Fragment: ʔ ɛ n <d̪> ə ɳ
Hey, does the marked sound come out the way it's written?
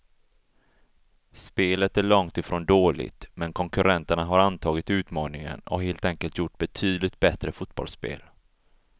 no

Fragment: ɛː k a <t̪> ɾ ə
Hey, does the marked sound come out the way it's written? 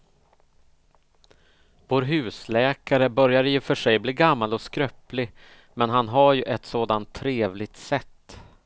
no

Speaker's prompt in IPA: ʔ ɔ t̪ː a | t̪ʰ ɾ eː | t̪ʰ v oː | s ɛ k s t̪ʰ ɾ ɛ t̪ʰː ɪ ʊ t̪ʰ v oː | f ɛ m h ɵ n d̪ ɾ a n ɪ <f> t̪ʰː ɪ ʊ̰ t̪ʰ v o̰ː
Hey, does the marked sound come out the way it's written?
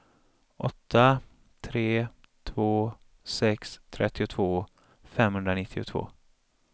no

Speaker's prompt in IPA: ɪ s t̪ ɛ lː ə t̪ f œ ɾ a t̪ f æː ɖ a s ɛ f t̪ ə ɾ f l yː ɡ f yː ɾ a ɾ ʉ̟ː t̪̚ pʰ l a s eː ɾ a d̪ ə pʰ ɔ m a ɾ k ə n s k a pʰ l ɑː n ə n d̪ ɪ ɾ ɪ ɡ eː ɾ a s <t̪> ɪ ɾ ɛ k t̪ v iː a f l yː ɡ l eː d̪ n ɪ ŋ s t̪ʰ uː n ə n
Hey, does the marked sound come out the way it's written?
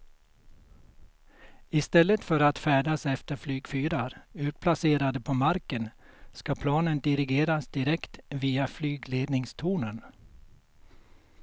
no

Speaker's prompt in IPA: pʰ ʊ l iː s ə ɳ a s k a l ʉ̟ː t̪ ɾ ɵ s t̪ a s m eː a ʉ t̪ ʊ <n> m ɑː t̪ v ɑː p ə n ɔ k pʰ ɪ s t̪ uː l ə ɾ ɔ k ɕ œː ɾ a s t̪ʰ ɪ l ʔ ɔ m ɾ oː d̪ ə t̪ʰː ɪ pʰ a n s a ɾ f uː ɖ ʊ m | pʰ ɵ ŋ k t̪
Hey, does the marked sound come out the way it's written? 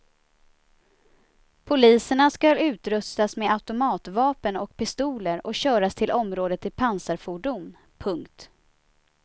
no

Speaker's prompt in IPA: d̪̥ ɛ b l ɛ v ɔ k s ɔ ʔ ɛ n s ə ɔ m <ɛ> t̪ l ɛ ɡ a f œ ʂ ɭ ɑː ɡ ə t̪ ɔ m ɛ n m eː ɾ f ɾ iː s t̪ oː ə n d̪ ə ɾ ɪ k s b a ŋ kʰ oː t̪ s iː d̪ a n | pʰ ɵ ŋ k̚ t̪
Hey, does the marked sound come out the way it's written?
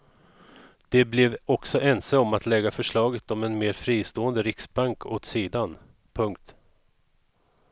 no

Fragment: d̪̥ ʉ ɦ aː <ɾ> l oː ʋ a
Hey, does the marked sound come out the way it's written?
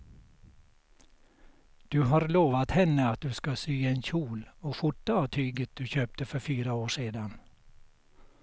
yes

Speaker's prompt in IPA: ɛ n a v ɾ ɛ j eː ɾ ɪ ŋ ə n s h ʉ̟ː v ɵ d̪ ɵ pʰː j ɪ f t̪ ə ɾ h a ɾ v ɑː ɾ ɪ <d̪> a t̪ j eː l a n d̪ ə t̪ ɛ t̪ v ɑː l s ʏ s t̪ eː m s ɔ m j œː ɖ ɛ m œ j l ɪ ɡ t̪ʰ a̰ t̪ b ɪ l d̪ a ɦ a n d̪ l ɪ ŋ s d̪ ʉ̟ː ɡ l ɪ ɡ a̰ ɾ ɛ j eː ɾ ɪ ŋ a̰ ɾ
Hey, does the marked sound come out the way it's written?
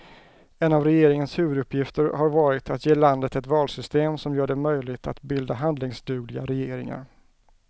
no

